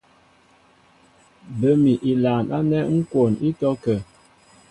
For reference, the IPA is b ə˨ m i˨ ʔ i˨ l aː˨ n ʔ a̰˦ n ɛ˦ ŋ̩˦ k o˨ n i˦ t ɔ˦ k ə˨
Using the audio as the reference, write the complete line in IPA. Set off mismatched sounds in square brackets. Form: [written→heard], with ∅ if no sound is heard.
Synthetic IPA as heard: b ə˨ m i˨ ʔ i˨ l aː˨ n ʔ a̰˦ n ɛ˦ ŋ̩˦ k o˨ n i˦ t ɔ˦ k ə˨